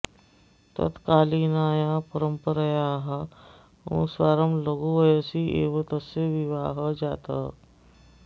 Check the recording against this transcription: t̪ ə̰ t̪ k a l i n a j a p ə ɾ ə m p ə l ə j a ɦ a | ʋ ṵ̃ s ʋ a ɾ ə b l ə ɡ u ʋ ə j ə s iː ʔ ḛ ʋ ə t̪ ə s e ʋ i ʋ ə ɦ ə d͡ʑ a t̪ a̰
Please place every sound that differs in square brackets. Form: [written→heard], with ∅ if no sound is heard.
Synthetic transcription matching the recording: t̪ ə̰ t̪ k a l i n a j a p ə ɾ ə m p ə [l→ɾ] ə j a ɦ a | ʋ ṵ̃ s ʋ a ɾ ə [b→m] l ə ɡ u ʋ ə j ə s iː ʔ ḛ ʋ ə t̪ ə s e ʋ i ʋ [ə→a] ɦ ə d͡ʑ a t̪ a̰